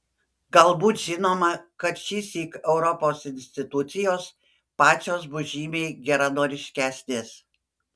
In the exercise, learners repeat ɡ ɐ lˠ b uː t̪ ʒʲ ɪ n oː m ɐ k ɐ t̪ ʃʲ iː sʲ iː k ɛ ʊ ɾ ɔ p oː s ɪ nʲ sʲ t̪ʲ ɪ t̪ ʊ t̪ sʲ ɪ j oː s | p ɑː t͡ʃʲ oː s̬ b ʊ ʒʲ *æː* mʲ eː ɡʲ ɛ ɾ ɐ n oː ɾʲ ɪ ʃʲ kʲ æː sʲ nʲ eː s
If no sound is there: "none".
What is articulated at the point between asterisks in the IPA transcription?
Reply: iː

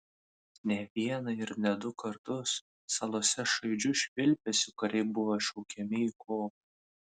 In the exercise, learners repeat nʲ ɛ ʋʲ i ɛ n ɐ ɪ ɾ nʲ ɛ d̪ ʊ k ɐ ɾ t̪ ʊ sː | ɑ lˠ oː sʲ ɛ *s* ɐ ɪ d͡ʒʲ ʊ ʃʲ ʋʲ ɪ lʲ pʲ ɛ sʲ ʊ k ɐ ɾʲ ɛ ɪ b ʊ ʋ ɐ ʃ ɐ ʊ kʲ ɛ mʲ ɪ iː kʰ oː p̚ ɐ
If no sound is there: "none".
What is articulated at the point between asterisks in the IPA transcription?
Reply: ʃ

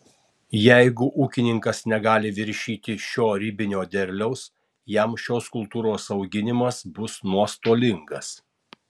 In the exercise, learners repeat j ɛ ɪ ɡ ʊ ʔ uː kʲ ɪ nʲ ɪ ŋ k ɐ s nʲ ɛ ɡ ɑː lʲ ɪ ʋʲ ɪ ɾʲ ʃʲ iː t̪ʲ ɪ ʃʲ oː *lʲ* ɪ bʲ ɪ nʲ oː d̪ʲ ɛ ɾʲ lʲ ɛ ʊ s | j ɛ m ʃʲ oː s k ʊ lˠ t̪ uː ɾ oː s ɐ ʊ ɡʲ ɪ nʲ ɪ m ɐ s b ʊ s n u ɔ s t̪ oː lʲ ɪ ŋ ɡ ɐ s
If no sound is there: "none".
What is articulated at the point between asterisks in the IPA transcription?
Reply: ɾʲ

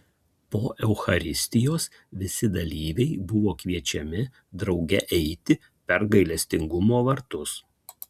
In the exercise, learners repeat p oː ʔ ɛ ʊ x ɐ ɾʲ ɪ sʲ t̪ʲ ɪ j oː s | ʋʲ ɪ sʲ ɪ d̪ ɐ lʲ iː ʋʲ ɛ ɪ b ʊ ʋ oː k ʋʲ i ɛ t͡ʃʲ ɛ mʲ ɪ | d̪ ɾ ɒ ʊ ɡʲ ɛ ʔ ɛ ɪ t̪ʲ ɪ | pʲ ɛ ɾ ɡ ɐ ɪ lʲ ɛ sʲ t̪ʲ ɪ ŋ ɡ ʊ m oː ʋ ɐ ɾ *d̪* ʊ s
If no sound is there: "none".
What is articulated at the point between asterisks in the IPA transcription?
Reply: t̪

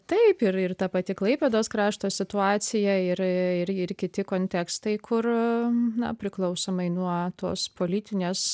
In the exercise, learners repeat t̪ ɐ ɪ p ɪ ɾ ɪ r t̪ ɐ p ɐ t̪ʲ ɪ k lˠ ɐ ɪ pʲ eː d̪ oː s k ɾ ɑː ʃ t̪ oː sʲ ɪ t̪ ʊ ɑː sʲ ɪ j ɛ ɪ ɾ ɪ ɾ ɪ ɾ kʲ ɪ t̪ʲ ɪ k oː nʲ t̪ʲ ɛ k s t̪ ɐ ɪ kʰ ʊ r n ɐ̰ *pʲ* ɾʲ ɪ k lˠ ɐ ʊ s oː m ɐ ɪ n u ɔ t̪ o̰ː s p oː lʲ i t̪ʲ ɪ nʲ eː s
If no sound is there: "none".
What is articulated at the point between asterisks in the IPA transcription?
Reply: pʲ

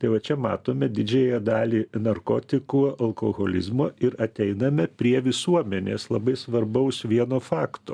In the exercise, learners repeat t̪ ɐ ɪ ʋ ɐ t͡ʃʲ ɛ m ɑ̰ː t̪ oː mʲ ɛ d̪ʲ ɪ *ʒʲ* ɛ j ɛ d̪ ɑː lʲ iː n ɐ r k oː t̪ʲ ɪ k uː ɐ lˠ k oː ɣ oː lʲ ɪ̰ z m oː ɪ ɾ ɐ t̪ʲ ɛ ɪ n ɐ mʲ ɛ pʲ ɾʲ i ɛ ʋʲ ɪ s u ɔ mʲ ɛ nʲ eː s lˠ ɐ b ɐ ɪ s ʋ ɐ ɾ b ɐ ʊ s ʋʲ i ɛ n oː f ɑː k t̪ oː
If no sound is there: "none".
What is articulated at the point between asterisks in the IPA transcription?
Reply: d͡ʒʲ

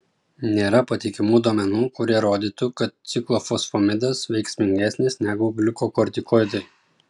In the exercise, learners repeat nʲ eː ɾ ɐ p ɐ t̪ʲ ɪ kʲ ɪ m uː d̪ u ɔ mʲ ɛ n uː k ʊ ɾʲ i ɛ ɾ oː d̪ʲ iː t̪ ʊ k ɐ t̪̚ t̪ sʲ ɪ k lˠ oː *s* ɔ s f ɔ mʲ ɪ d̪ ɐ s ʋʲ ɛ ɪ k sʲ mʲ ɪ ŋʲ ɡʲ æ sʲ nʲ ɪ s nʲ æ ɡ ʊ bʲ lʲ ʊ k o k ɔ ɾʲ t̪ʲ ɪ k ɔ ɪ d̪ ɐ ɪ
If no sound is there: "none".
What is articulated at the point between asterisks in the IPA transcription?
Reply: f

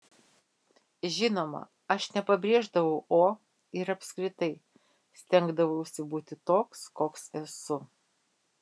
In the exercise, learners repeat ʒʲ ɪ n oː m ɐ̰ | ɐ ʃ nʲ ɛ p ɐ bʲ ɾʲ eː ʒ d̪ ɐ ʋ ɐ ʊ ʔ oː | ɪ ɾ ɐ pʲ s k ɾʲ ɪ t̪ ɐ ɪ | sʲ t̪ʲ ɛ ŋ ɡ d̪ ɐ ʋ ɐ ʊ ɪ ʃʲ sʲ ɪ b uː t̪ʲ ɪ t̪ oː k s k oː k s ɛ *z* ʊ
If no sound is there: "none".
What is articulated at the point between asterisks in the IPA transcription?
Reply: s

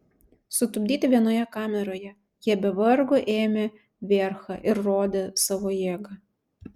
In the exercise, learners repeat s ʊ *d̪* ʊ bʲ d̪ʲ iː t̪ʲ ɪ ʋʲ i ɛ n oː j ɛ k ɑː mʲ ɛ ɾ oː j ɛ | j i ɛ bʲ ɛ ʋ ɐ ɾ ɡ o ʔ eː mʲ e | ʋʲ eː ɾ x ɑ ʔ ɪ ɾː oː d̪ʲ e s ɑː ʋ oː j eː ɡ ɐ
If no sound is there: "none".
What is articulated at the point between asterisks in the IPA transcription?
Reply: t̪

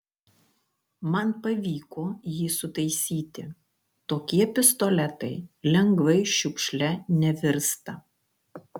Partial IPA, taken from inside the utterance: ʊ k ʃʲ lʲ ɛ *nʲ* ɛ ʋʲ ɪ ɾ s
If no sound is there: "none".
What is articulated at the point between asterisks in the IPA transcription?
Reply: nʲ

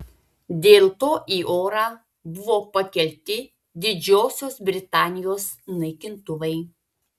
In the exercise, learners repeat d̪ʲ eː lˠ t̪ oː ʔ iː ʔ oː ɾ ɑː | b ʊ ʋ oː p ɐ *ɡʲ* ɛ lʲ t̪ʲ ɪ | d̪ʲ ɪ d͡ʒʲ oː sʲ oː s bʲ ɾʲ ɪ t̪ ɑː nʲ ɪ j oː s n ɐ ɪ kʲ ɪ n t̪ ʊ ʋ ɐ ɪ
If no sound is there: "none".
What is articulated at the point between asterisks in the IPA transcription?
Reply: kʲ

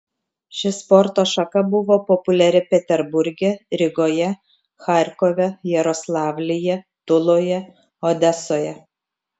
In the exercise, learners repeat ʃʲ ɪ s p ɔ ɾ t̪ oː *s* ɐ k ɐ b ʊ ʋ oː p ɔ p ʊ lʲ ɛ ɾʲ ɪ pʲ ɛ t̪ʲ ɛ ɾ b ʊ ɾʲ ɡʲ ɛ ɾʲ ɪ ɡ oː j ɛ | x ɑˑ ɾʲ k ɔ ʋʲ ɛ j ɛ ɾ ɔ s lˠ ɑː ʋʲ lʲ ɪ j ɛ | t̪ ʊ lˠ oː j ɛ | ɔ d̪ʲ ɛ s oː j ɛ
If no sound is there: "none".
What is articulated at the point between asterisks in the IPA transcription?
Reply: ʃ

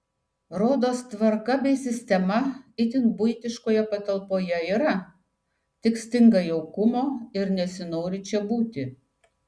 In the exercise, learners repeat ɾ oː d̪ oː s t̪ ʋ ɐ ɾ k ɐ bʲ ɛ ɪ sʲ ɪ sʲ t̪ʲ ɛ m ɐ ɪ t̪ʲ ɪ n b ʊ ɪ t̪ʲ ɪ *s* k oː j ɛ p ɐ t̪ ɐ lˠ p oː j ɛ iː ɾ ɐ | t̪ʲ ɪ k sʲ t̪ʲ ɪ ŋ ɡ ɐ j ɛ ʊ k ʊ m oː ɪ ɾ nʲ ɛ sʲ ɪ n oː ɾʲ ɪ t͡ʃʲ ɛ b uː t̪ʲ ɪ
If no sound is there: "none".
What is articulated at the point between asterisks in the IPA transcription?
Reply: ʃ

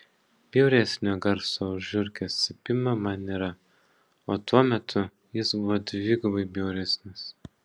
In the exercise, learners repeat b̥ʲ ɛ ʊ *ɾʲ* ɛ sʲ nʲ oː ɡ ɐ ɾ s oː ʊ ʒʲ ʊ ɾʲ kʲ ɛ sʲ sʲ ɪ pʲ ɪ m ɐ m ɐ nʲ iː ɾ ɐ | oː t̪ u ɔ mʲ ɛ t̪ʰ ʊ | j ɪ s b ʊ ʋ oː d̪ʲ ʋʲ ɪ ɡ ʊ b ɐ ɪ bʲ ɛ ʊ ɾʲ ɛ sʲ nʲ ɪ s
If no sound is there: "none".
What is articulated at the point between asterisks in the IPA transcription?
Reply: ɾʲ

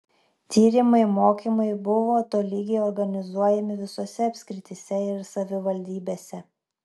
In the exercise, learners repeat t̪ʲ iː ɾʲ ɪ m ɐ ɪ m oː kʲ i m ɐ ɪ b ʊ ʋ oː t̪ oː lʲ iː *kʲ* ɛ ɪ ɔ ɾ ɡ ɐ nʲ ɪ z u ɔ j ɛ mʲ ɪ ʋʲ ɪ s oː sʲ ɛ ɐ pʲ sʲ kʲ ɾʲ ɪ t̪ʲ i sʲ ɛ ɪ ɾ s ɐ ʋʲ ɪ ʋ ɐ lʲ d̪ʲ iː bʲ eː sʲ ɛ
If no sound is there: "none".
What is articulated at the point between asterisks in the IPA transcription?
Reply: ɡʲ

